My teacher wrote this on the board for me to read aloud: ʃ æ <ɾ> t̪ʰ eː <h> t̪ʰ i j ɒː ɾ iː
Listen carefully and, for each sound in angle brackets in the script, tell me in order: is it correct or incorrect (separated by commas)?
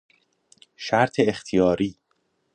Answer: correct, incorrect